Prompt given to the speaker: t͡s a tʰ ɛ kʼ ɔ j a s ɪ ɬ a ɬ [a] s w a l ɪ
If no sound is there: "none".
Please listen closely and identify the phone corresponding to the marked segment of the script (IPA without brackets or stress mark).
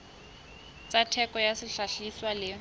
i